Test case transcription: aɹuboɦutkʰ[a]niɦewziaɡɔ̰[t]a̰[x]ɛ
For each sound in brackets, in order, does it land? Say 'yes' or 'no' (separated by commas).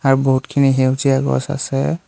no, no, no